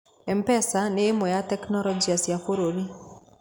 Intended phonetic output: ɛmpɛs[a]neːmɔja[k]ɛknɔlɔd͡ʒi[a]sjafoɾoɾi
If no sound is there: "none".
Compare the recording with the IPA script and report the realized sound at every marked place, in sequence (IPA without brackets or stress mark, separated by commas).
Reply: a, t, a